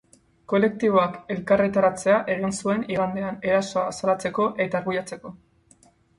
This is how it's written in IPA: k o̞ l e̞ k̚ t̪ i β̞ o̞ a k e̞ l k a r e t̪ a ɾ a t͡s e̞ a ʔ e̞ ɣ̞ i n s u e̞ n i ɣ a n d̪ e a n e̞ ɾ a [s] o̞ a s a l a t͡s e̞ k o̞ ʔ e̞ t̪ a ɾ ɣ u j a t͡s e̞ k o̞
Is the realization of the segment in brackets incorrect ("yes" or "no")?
no